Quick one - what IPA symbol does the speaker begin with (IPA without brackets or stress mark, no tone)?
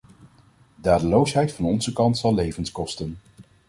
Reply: d